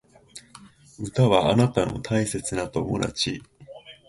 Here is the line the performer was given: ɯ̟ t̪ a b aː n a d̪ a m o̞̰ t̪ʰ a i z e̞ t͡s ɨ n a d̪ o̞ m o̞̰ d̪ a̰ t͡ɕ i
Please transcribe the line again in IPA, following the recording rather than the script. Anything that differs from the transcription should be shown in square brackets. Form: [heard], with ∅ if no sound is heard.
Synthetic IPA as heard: ɯ̟ t̪ a [β] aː n a [t̪] a [n] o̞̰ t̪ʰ a i [s] e̞ t͡s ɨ n a [t̪] o̞ m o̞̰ d̪ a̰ t͡ɕ i